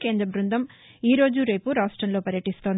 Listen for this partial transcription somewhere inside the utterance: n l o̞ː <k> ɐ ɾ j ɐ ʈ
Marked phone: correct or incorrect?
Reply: incorrect